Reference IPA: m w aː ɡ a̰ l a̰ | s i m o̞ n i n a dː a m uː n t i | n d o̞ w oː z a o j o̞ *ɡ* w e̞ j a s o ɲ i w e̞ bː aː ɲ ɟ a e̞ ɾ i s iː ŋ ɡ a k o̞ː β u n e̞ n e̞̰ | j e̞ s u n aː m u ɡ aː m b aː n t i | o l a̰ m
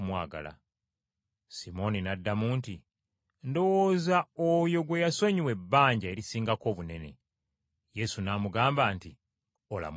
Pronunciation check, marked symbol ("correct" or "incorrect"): correct